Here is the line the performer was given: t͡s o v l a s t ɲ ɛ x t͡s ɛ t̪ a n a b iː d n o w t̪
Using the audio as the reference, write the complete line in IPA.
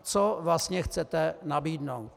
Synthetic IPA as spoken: t͡s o v l a s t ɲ ɛ x t͡s ɛ t̪ ɛ n a b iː d n o w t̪